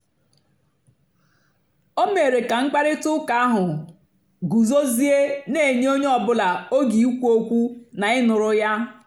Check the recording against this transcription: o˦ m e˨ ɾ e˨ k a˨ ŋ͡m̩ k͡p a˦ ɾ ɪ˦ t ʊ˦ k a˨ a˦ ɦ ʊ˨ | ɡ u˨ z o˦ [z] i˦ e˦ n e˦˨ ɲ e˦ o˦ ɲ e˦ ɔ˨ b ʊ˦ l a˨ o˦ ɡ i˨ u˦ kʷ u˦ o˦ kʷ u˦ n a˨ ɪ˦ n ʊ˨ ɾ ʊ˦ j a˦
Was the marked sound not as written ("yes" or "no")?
no